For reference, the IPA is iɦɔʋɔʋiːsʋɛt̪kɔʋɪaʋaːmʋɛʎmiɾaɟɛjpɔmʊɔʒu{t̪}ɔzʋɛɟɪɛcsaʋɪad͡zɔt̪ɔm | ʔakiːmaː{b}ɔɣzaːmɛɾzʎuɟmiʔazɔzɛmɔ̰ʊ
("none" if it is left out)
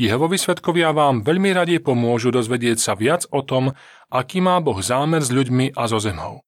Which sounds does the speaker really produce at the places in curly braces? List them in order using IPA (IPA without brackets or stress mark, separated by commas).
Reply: d̪, b